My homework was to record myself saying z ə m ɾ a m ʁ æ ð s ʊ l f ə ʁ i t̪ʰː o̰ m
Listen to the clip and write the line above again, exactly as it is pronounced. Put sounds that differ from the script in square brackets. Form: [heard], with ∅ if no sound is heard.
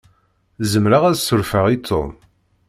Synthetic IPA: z ə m ɾ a [∅] ʁ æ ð s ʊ [ɾ] f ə ʁ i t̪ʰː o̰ m